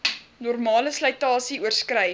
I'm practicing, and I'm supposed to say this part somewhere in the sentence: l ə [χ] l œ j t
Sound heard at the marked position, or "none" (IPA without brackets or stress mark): s